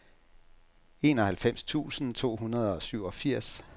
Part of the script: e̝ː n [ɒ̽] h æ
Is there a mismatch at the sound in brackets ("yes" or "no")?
no